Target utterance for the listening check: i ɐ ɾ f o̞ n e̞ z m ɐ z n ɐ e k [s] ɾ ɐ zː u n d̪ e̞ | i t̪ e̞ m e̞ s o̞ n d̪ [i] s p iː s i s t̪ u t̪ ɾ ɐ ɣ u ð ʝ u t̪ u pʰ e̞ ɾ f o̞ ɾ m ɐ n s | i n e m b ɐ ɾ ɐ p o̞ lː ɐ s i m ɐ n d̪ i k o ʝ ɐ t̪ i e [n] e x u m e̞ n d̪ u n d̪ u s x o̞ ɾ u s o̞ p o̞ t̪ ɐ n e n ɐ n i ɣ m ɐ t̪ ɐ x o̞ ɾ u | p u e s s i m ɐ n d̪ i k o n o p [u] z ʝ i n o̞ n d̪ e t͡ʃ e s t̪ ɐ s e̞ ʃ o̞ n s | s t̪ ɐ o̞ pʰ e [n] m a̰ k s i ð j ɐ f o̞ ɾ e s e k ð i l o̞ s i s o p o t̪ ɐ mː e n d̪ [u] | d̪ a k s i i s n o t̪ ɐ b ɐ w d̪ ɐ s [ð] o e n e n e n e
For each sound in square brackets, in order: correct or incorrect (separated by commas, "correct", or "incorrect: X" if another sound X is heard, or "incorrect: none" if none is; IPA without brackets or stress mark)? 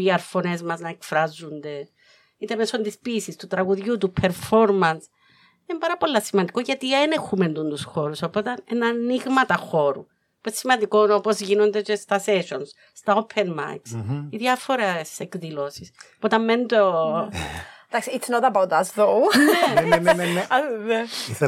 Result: incorrect: f, correct, correct, incorrect: o, correct, incorrect: o, correct